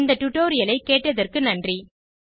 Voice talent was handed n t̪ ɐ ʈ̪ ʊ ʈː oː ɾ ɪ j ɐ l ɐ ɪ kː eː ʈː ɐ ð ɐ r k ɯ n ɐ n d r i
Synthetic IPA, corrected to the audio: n d̪ ɐ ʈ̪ ʊ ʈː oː ɾ ɪ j ɐ l ɐ ɪ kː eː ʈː ɐ ð ɐ r k ɯ n ɐ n d r i